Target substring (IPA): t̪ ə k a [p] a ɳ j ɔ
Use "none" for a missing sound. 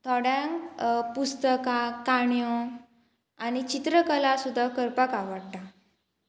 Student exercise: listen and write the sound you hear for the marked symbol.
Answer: k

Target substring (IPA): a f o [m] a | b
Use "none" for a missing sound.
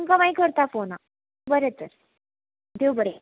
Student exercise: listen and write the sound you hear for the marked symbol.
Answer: n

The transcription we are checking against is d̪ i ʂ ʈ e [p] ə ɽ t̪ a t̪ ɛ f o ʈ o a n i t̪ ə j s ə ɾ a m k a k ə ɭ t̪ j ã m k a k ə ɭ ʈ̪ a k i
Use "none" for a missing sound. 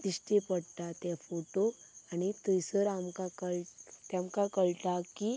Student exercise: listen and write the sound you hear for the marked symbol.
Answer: p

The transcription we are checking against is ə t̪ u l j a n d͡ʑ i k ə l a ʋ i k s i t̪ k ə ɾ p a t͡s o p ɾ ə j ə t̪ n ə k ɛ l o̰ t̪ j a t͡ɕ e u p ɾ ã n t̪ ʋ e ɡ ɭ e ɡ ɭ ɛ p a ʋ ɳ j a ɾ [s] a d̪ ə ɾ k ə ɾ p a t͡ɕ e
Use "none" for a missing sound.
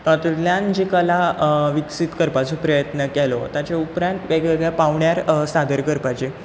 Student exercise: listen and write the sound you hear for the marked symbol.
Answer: s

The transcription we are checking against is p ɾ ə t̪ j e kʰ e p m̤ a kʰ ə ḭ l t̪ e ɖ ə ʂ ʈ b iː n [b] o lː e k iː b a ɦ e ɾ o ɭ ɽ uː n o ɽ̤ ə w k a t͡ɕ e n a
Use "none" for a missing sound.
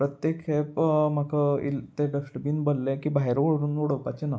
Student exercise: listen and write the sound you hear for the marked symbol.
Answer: b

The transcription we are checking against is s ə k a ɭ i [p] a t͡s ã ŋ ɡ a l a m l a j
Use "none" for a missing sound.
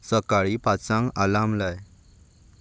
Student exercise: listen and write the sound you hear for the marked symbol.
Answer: p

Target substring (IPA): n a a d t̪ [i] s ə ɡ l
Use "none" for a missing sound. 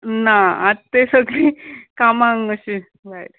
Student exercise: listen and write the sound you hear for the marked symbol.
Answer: e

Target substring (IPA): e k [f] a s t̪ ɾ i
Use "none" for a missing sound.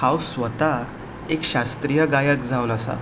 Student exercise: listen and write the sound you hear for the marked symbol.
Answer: ɕ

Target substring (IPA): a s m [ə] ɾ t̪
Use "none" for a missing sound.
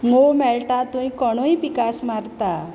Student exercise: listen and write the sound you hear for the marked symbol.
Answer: a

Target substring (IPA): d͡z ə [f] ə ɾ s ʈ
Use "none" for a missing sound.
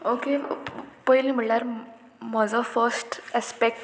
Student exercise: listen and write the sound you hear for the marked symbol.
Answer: f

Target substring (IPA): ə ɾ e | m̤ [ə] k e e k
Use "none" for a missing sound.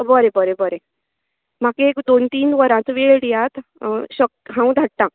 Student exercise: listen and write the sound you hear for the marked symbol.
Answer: a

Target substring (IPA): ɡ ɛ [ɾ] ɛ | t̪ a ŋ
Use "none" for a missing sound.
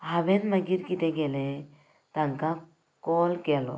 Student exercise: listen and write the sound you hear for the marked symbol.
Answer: l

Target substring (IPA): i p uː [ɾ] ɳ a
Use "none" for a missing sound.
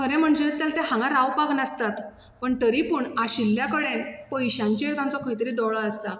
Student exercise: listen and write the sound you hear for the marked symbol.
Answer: none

